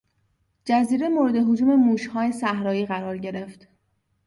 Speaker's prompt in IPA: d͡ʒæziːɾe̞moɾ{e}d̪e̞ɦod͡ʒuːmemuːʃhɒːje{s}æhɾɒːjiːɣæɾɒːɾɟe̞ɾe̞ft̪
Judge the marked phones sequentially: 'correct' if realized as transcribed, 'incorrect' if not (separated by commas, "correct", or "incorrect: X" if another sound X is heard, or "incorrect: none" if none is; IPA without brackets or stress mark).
correct, correct